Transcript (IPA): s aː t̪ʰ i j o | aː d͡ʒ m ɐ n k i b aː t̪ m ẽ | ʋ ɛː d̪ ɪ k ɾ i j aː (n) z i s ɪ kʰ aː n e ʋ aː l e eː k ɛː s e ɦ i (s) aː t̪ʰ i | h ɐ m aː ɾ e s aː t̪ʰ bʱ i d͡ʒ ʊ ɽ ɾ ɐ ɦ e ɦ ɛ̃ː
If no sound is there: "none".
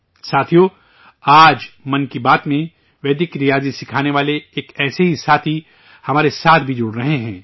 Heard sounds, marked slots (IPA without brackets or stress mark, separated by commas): none, s